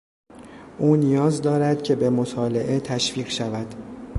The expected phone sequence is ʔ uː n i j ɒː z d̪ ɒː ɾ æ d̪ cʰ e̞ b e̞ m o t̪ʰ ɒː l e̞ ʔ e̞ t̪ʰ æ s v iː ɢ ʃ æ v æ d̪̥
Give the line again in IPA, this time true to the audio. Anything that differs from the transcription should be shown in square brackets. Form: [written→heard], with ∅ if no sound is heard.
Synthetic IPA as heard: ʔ uː n i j ɒː z d̪ ɒː ɾ æ d̪ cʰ e̞ b e̞ m o t̪ʰ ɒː l e̞ ʔ e̞ t̪ʰ æ [s→ʃ] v iː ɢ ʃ æ v æ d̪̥